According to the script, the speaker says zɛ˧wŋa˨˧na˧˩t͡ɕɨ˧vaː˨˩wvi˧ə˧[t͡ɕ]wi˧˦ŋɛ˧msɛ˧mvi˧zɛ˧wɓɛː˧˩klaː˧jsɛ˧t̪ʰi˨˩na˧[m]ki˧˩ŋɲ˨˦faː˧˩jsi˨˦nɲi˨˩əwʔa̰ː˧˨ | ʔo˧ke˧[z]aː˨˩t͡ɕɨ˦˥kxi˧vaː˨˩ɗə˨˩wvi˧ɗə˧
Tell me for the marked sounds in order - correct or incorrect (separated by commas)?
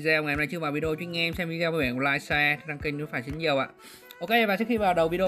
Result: correct, incorrect, incorrect